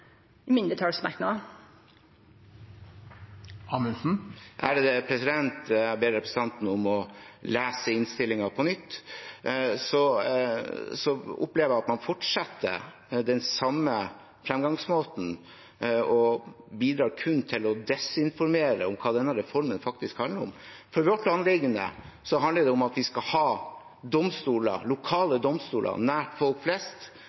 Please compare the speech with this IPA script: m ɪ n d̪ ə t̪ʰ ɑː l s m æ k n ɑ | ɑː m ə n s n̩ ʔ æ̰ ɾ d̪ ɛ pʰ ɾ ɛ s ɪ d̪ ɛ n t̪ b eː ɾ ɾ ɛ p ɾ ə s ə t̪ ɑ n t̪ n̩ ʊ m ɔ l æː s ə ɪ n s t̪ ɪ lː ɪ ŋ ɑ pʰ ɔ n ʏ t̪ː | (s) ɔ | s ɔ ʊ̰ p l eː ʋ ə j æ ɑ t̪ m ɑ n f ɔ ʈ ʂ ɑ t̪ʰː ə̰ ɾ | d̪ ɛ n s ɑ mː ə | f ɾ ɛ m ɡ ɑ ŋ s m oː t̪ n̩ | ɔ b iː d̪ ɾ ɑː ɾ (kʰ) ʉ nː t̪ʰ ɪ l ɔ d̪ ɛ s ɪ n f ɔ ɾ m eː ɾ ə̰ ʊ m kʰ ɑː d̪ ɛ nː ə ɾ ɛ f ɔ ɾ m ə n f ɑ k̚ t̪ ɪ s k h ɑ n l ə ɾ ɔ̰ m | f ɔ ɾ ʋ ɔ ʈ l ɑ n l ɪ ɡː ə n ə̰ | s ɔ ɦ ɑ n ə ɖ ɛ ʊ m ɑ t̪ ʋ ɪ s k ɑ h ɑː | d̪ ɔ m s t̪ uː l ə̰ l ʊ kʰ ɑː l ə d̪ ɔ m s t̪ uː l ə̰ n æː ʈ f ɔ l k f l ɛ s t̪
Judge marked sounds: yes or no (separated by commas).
yes, yes